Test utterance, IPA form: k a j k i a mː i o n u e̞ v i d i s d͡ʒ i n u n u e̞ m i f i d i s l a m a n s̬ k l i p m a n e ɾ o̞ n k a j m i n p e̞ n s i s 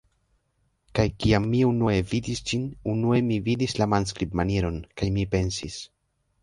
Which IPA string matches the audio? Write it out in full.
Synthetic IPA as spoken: k a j k i a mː i u n u e̞ v i d i s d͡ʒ i n u n u e̞ m i v i d i s l a m a n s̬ k ɾ i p m a n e ɾ o̞ n k a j m i p e̞ n s i s